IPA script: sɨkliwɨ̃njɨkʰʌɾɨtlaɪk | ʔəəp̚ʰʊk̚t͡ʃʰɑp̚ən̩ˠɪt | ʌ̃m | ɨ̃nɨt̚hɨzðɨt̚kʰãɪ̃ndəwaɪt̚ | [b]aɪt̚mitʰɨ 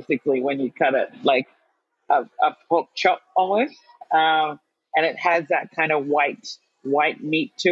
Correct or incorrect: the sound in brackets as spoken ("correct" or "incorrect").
incorrect